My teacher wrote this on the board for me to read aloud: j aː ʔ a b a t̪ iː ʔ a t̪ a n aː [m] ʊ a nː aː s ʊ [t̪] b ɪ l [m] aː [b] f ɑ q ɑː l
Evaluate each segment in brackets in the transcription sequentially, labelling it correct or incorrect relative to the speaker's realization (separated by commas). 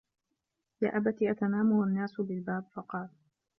correct, incorrect, incorrect, correct